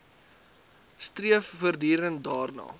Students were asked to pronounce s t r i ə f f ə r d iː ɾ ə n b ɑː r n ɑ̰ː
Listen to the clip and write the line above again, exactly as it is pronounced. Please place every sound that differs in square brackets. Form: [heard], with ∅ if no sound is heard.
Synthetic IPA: s t r i ə f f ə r d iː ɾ ə n [d] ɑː r n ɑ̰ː